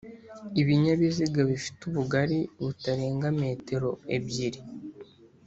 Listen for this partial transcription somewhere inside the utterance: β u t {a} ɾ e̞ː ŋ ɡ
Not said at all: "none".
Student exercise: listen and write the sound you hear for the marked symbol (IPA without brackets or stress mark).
a